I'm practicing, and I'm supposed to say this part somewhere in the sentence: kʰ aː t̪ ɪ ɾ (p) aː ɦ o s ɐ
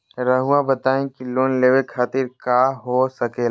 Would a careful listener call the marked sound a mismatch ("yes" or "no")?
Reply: yes